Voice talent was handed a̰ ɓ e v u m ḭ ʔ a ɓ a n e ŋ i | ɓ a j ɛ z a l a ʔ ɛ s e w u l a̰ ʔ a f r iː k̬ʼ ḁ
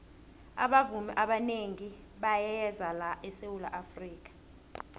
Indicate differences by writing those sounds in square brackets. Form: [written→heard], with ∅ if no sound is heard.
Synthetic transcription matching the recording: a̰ ɓ [e→a] v u m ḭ ʔ a ɓ a n e ŋ i | ɓ a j ɛ z a l a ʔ ɛ s e w u l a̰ ʔ a f r iː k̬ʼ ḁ